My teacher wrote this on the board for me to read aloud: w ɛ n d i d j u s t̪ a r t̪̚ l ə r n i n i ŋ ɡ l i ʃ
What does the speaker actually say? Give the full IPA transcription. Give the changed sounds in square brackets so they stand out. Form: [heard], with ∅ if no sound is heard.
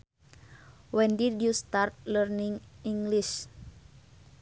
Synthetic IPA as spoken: w ɛ n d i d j u s t̪ a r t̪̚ l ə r n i [ŋ] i ŋ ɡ l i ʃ